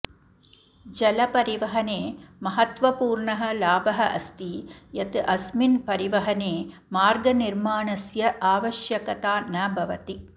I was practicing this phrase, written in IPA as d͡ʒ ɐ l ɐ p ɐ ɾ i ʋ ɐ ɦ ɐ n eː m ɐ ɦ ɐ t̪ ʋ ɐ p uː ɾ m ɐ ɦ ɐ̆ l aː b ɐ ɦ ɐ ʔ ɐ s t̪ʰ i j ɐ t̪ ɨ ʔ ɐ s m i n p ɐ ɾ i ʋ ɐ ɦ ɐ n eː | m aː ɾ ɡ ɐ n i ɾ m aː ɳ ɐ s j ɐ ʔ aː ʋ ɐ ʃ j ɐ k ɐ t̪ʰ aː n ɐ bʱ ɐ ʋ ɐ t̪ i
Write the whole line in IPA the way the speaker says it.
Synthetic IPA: d͡ʒ ɐ l ɐ p ɐ ɾ i ʋ ɐ ɦ ɐ n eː m ɐ ɦ ɐ t̪ ʋ ɐ p uː ɾ ɳ ɐ ɦ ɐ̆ l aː b ɐ ɦ ɐ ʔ ɐ s t̪ i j ɐ t̪ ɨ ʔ ɐ s m i n p ɐ ɾ i ʋ ɐ ɦ ɐ n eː | m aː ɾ ɡ ɐ n i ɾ m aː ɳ ɐ s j ɐ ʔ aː ʋ ɐ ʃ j ɐ k ɐ t̪ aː n ɐ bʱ ɐ ʋ ɐ t̪ i